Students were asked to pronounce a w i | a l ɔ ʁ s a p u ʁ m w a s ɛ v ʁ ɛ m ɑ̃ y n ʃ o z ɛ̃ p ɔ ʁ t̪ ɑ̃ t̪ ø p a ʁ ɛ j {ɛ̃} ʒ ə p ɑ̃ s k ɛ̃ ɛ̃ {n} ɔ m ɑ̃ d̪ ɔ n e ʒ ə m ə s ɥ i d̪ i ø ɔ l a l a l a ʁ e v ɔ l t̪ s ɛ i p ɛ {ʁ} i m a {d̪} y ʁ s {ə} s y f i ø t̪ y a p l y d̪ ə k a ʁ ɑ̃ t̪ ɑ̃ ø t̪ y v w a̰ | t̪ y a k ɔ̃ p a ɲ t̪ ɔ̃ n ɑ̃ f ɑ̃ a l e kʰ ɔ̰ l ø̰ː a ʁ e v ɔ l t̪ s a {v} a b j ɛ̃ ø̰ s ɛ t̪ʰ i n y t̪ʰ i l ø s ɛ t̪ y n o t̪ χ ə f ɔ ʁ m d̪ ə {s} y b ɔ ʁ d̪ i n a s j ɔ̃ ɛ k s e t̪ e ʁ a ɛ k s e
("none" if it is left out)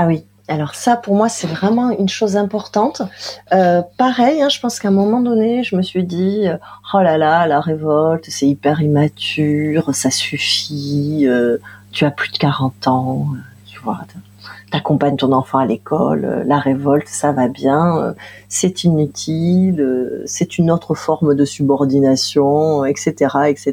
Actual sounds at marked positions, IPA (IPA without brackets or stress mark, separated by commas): ɛ̃, m, ʁ, t̪, a, v, s